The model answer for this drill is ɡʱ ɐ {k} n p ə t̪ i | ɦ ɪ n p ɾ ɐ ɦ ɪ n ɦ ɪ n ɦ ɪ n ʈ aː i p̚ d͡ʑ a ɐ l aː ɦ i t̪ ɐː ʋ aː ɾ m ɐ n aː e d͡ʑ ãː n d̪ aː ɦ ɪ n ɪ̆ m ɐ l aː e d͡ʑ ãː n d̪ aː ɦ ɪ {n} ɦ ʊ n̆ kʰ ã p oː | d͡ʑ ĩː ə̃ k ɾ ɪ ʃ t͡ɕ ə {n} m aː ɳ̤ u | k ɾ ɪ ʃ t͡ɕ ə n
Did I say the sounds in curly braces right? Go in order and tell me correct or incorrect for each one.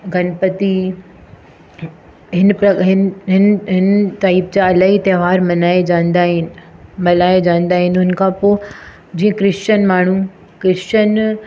incorrect, correct, correct

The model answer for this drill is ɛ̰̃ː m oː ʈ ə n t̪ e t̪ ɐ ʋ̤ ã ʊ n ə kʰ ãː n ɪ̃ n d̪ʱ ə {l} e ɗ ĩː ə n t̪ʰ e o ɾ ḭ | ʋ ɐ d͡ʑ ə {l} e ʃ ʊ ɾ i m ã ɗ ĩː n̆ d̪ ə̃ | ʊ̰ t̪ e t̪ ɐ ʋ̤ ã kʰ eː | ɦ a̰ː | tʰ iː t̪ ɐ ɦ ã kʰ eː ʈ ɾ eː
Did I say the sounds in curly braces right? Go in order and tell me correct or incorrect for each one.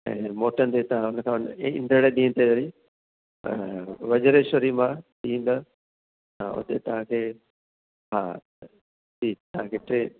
incorrect, incorrect

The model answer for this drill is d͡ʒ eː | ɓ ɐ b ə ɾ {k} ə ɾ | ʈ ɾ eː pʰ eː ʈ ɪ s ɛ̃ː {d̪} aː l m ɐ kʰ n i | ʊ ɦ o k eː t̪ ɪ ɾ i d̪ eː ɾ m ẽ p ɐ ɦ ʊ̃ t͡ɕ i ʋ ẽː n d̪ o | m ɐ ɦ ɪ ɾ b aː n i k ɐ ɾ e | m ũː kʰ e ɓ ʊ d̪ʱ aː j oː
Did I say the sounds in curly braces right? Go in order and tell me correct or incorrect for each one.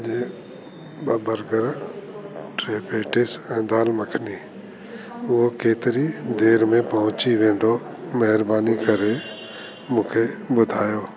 incorrect, correct

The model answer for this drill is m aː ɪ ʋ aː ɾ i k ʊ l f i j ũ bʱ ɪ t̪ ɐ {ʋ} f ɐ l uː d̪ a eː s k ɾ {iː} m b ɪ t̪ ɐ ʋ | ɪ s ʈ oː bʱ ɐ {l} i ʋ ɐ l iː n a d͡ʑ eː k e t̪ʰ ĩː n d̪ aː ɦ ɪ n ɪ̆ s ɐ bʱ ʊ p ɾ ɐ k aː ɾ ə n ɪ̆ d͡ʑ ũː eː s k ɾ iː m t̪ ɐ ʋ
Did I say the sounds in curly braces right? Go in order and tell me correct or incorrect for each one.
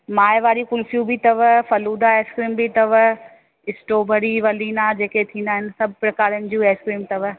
correct, correct, incorrect

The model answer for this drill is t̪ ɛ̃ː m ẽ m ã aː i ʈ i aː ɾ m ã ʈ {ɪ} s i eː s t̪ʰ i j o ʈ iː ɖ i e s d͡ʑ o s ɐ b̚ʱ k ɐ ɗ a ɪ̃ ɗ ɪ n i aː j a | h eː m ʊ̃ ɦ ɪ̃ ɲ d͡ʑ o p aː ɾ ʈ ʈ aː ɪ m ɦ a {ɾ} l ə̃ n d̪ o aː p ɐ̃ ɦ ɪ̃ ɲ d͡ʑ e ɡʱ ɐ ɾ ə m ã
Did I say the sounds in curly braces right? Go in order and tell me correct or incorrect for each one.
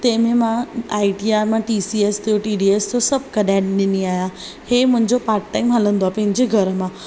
incorrect, incorrect

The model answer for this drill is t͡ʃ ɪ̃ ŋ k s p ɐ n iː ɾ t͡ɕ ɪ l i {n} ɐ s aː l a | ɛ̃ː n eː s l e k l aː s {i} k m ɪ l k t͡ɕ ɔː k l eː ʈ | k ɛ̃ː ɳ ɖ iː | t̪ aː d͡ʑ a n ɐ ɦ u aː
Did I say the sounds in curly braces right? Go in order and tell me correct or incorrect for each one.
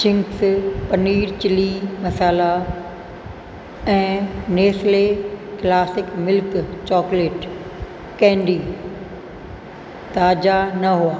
incorrect, incorrect

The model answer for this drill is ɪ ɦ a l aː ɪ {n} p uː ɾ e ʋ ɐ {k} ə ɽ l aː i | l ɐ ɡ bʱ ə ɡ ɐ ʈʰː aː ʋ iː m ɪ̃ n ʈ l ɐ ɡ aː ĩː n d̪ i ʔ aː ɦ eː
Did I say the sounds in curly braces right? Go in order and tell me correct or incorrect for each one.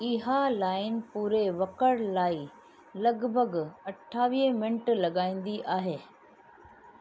correct, correct

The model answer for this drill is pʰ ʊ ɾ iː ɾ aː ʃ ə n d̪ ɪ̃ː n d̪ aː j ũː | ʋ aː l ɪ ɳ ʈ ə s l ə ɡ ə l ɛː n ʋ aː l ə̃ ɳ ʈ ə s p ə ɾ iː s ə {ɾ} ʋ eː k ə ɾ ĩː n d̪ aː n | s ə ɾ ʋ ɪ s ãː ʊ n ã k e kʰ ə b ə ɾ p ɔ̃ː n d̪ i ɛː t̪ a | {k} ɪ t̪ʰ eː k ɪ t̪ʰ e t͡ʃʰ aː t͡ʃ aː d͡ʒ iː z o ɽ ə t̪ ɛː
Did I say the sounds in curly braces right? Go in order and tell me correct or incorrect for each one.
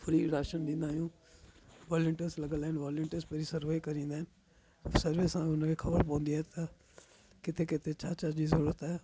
correct, correct

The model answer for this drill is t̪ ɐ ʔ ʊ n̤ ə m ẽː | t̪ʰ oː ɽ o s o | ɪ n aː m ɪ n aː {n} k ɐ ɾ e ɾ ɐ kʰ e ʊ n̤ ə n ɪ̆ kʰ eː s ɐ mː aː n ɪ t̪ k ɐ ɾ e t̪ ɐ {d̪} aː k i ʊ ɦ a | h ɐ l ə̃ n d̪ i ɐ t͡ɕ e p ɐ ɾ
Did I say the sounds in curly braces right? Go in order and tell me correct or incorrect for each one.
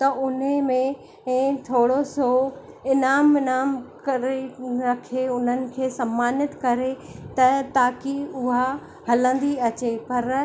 incorrect, incorrect

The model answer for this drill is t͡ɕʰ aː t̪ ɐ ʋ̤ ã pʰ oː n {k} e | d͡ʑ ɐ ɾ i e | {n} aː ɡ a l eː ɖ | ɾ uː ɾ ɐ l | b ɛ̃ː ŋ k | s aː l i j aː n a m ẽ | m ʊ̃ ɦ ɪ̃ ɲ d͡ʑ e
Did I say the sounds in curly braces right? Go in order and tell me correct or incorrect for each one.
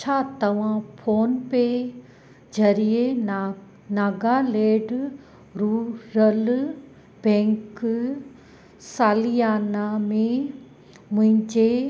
incorrect, correct

